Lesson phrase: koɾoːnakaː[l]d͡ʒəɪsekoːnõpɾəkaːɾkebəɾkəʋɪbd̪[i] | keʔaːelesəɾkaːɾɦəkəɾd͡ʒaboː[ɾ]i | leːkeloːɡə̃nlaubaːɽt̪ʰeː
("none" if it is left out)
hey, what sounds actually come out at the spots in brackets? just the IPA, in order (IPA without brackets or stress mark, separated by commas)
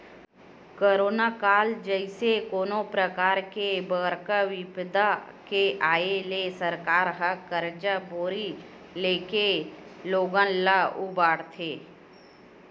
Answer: l, a, ɾ